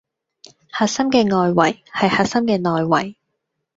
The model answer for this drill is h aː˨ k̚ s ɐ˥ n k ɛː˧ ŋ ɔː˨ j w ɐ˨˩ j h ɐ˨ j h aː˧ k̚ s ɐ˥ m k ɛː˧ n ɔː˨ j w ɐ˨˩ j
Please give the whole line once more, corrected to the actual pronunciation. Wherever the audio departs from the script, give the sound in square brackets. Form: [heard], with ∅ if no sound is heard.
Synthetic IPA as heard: h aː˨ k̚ s ɐ˥ [m] k ɛː˧ ŋ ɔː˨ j w ɐ˨˩ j h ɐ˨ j h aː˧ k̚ s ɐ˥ m k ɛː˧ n ɔː˨ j w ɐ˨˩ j